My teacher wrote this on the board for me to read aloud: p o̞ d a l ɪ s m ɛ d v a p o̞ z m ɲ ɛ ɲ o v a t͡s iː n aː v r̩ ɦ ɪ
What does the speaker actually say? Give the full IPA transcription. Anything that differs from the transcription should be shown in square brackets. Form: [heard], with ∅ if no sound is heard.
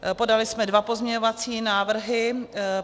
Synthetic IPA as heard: p o̞ d a l ɪ s m ɛ d v a p o̞ z m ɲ ɛ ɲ o v a t͡s iː n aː v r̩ ɦ ɪ